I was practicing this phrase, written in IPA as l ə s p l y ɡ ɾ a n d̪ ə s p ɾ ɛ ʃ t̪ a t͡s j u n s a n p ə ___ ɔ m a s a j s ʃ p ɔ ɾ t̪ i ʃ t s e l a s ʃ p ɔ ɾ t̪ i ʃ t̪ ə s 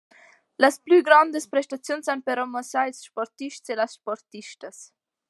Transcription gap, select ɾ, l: ɾ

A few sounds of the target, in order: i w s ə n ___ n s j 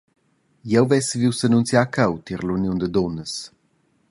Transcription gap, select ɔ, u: u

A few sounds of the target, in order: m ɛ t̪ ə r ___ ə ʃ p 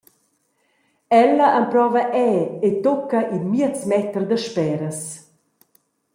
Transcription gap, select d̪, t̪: d̪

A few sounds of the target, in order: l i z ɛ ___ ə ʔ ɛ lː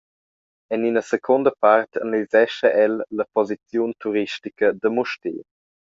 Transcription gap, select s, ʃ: ʃ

